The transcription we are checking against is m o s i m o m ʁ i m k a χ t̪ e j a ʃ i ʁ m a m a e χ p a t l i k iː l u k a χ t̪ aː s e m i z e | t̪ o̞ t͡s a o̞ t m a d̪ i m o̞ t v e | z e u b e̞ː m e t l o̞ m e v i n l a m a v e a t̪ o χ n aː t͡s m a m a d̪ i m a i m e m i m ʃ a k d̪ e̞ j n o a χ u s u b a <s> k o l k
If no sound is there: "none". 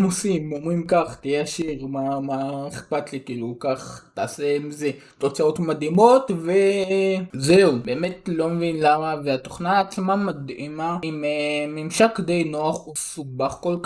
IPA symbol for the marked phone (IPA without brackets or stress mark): χ